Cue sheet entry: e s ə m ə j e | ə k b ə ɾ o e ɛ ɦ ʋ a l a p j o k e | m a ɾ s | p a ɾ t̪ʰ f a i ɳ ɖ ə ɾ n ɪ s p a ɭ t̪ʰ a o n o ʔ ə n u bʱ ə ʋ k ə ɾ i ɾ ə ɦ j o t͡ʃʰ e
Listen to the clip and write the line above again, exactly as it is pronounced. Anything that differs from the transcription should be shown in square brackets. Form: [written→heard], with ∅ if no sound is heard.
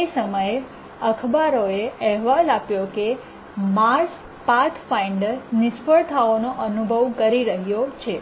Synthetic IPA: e s ə m ə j e | ə [k→kʰ] b [ə→a] ɾ o e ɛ ɦ ʋ a l a p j o k e | m a ɾ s | p a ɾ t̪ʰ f a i ɳ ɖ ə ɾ n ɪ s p [a→ə] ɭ t̪ʰ a o n o ʔ ə n u bʱ ə ʋ k ə ɾ i ɾ ə ɦ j o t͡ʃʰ e